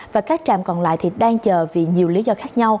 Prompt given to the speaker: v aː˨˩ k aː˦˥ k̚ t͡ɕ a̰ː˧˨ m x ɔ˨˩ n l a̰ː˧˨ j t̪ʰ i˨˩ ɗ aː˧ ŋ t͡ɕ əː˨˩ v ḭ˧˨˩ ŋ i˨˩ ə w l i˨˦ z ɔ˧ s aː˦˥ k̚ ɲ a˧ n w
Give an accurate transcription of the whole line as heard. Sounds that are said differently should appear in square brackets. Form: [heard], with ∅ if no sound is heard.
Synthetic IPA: v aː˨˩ k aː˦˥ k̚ t͡ɕ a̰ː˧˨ m [k] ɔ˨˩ n l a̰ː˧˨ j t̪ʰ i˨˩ ɗ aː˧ ŋ t͡ɕ əː˨˩ v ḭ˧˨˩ [ɲ] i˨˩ ə w l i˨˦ z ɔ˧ [x] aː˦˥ k̚ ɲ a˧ [∅] w